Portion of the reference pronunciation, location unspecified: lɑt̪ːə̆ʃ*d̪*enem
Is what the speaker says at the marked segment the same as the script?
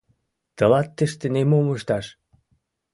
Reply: no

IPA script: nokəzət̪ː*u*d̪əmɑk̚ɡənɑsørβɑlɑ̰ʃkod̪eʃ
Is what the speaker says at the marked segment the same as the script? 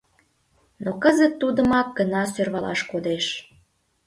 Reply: yes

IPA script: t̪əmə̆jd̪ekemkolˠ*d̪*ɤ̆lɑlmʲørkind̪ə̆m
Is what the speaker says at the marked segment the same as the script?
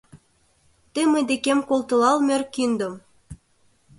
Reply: no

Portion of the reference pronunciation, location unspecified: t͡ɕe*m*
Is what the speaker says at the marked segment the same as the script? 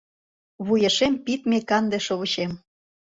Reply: yes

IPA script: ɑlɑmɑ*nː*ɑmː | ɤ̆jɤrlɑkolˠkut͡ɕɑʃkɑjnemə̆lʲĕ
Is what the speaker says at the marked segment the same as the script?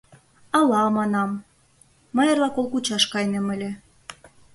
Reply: no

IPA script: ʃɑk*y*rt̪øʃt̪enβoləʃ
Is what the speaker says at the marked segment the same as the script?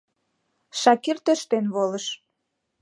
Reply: no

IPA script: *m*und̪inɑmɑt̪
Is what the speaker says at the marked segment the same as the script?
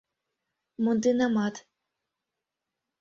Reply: yes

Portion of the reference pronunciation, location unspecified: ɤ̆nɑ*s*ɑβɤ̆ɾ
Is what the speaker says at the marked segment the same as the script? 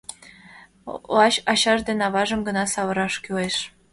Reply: yes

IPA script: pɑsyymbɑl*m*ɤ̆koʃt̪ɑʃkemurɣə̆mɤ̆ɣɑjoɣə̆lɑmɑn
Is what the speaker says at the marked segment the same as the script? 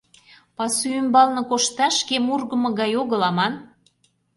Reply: no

